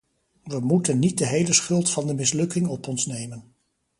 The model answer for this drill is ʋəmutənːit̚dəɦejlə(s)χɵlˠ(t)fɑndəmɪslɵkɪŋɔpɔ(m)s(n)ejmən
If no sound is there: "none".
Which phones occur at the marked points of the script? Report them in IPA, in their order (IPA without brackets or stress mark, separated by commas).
s, t, n, n